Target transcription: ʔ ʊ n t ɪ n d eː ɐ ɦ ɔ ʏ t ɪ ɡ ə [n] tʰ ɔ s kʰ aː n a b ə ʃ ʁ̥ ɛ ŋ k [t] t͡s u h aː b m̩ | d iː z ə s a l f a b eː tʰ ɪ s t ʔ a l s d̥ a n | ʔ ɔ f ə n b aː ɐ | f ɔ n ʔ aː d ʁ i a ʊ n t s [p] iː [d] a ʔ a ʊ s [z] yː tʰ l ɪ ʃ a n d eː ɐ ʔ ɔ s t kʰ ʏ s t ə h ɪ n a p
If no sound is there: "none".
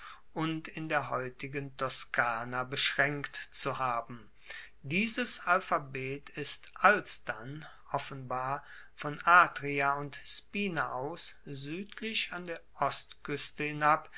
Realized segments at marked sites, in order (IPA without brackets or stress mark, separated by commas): n, t, p, n, z